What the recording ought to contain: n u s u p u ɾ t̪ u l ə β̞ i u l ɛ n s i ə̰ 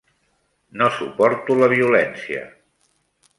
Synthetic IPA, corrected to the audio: n o s u p ɔ ɾ t̪ u l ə β̞ i u l ɛ n s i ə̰